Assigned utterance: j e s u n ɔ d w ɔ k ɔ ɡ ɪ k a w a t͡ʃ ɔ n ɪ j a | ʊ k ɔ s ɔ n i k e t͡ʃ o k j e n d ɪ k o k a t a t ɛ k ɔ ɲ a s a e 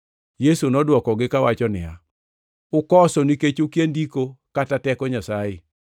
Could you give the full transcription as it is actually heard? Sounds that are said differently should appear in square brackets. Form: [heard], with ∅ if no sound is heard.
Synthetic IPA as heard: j e s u n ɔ d w ɔ k ɔ ɡ ɪ k a w a t͡ʃ ɔ n ɪ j a | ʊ k ɔ s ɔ n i k e t͡ʃ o k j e n d [i] k o k a t a t ɛ k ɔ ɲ a s a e